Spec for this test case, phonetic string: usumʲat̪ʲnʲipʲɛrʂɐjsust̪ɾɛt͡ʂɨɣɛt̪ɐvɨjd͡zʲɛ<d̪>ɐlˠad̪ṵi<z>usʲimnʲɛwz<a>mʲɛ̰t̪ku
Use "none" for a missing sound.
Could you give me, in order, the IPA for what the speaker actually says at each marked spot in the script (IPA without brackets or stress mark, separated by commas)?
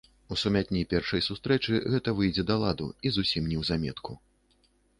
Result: d̪, z, a